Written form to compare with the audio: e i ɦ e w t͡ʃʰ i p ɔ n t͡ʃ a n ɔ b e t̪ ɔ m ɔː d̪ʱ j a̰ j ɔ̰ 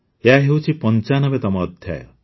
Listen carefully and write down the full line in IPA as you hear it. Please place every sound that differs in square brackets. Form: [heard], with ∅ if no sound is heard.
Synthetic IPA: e [a] ɦ e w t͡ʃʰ i p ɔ n t͡ʃ a n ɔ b e t̪ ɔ m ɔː d̪ʱ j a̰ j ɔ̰

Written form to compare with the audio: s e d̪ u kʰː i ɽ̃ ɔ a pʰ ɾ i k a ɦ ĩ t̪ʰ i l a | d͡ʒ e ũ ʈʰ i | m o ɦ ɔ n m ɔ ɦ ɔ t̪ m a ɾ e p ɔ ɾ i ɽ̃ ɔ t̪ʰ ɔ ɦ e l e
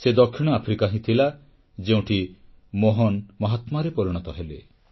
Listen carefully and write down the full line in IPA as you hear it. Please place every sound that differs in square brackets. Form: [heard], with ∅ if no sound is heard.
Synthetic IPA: s e d̪ [ɔ] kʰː i ɽ̃ ɔ a pʰ ɾ i k a ɦ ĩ t̪ʰ i l a | d͡ʒ e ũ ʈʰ i | m o ɦ ɔ n m ɔ ɦ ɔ t̪ m a ɾ e p ɔ ɾ i ɽ̃ ɔ [t̪] ɔ ɦ e l e

